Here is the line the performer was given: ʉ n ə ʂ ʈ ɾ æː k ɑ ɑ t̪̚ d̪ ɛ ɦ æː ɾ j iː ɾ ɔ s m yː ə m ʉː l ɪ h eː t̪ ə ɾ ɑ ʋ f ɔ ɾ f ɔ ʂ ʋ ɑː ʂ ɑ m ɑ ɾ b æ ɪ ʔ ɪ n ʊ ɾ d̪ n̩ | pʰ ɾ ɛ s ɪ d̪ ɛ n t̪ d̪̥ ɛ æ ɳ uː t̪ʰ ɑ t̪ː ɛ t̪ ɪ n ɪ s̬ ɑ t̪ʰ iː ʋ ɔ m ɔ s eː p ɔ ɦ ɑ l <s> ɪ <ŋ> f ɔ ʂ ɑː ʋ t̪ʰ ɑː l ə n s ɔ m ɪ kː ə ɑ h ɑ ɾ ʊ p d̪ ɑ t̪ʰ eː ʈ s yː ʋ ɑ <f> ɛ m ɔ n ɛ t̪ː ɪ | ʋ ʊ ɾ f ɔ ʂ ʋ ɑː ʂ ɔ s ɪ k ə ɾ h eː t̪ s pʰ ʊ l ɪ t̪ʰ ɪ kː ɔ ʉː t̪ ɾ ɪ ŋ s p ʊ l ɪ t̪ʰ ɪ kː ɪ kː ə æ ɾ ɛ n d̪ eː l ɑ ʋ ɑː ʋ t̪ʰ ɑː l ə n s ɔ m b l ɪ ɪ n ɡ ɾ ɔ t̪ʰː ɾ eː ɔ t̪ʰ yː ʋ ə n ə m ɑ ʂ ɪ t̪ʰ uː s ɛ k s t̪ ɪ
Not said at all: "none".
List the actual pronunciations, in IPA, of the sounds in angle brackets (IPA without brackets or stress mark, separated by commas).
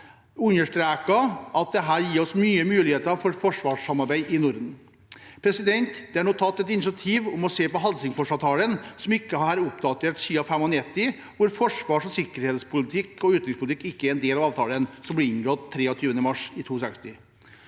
s, ŋ, f